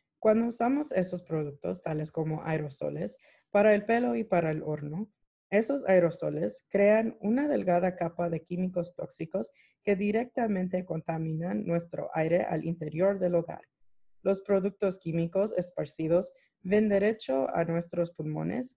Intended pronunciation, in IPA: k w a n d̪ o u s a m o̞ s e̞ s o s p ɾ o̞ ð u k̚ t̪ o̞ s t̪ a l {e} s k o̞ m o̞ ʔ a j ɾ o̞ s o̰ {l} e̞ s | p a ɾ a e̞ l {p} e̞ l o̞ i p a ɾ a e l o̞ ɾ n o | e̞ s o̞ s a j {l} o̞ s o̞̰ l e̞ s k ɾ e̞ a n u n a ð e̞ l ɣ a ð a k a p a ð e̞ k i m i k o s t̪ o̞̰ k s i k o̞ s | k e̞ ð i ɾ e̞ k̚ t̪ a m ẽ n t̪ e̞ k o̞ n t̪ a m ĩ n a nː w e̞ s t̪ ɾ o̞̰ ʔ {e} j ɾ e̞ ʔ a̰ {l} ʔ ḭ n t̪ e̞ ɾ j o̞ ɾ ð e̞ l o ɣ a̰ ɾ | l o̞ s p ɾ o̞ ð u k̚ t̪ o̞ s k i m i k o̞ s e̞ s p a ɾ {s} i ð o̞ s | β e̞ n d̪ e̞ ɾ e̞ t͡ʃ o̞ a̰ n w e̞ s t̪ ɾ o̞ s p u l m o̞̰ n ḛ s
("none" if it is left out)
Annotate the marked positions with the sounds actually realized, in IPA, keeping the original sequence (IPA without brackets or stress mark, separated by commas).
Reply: e, l, p, ɾ, a, l, s